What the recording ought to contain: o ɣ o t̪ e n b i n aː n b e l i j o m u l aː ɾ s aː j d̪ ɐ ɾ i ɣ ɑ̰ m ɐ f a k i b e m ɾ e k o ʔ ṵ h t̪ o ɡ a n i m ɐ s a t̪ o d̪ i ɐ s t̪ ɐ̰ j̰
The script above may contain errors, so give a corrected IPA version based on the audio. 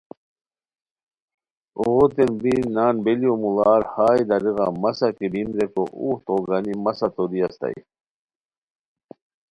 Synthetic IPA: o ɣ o t̪ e n b i n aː n b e l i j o m u l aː ɾ h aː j d̪ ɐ ɾ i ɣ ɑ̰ m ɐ s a k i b i m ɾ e k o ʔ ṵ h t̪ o ɡ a n i m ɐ s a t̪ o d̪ i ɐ s t̪ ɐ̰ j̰